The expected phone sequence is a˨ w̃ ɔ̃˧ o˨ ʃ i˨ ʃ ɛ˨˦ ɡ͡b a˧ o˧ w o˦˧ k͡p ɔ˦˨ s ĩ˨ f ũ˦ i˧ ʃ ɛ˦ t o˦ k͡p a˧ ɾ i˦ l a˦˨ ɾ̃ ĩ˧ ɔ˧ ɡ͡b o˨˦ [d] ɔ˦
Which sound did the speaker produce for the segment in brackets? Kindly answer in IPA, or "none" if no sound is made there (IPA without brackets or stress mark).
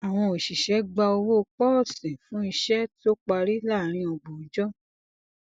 d͡ʒ